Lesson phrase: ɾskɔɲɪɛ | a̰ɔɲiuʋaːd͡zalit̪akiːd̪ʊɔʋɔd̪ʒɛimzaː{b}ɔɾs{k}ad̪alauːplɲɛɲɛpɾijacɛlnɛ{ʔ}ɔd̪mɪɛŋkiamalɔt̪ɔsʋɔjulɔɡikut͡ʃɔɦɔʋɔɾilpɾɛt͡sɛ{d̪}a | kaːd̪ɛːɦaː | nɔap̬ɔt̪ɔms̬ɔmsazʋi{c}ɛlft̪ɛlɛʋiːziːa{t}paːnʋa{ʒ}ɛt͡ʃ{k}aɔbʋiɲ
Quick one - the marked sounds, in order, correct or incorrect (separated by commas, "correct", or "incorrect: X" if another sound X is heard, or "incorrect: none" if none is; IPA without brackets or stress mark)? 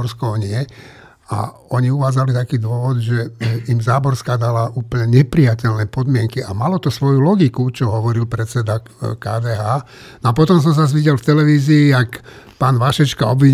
correct, correct, incorrect: p, correct, incorrect: ɟ, incorrect: k, incorrect: ʃ, correct